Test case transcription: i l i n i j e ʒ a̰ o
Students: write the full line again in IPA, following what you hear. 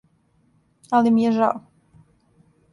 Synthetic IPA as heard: a l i m i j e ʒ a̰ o